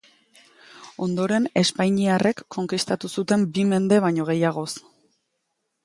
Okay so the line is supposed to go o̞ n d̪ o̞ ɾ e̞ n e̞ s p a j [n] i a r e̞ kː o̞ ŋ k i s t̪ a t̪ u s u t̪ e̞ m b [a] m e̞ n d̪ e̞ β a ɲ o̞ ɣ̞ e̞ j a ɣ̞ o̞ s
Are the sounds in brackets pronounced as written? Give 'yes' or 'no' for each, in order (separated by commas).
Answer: no, no